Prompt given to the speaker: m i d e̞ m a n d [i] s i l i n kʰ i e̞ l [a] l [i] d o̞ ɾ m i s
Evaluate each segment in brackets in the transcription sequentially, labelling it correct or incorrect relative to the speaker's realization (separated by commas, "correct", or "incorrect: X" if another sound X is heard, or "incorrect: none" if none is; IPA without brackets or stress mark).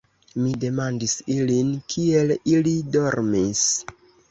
correct, incorrect: i, correct